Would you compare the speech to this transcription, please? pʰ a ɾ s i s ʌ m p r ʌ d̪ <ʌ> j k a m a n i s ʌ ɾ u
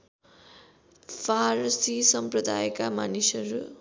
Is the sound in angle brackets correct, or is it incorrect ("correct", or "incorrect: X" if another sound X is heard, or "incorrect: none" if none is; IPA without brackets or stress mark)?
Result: incorrect: a